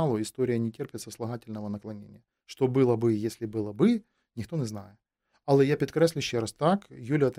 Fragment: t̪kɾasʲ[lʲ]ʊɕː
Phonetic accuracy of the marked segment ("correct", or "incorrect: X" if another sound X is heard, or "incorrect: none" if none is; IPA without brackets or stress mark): correct